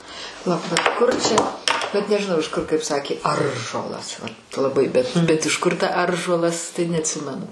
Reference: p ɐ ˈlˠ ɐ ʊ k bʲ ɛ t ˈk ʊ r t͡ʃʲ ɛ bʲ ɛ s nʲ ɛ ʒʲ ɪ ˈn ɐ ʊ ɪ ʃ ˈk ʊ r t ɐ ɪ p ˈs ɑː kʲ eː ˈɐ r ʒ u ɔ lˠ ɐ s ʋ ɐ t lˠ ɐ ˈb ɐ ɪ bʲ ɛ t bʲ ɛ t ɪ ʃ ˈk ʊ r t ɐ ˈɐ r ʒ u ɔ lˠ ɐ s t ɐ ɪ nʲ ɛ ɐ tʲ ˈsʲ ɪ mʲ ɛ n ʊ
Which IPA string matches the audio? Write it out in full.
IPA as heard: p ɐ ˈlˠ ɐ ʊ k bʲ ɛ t ˈk ʊ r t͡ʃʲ ɛ bʲ ɛ t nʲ ɛ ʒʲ ɪ ˈn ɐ ʊ ɪ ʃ ˈk ʊ r k ɐ ɪ p ˈs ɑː kʲ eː ˈɐ r ʒ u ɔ lˠ ɐ s ʋ ɐ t lˠ ɐ ˈb ɐ ɪ bʲ ɛ t bʲ ɛ t ɪ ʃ ˈk ʊ r t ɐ ˈɐ r ʒ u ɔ lˠ ɐ s t ɐ ɪ nʲ ɛ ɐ tʲ ˈsʲ ɪ mʲ ɛ n ʊ